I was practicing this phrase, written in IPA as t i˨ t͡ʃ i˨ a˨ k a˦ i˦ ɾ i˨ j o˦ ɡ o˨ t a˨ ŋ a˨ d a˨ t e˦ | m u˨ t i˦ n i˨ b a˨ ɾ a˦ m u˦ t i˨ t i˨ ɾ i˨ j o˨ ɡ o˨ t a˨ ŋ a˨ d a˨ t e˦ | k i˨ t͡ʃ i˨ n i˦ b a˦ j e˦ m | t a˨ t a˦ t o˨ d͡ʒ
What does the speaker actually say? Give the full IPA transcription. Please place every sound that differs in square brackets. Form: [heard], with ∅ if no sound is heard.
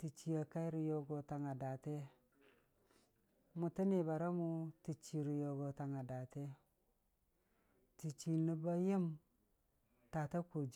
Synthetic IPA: t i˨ t͡ʃ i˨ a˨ k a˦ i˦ ɾ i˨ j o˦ ɡ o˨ t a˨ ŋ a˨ d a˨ t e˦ | m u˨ t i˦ n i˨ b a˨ ɾ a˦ m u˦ t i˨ [t͡ʃ] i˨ ɾ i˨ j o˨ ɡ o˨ t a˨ ŋ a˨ d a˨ t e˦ | [t] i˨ t͡ʃ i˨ n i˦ b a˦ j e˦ m | t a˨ t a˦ [k] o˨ d͡ʒ